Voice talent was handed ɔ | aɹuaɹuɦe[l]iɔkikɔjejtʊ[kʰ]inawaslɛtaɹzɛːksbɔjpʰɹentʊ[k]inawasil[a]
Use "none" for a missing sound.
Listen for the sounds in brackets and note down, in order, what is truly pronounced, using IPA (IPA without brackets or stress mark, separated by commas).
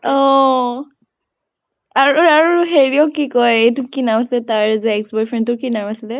ɹ, k, k, ɛ